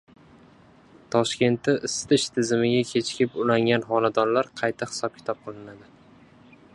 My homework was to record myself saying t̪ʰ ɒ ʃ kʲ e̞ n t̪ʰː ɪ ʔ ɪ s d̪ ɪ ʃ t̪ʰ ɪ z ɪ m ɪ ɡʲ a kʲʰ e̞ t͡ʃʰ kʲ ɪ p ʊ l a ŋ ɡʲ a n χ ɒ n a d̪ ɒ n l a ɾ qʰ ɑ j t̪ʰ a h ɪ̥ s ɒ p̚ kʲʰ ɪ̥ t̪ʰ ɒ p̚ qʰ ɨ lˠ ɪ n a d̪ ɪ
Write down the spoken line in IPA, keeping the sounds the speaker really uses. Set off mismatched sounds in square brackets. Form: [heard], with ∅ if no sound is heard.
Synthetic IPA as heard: t̪ʰ ɒ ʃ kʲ e̞ n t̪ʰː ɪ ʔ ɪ s [t̪] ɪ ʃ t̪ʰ ɪ z ɪ m ɪ ɡʲ a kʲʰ e̞ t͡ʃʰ kʲ ɪ p ʊ l a ŋ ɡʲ a n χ ɒ n a d̪ ɒ n l a ɾ qʰ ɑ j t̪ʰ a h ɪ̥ s ɒ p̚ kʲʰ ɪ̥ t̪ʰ ɒ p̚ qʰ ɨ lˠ ɪ n a d̪ ɪ